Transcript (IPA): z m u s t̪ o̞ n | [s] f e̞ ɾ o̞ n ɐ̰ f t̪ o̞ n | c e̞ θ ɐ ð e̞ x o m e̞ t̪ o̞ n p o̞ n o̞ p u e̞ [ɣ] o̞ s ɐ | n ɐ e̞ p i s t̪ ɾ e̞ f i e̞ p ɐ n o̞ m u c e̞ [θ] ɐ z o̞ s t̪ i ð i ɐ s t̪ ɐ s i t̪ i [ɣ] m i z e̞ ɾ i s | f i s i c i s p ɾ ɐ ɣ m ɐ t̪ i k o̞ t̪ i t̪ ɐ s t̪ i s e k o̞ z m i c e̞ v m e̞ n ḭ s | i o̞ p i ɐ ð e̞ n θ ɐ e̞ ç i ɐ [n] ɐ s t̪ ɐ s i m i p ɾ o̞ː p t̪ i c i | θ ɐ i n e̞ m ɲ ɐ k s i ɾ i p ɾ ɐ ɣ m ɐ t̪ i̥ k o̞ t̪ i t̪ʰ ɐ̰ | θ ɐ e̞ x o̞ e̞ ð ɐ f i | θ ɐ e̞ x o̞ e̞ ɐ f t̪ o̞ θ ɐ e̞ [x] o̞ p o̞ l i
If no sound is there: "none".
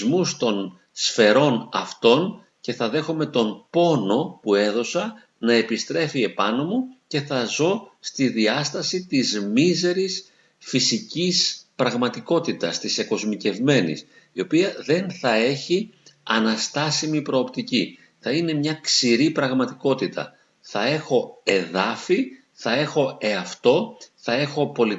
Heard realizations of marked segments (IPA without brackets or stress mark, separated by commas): s, ð, θ, z, n, x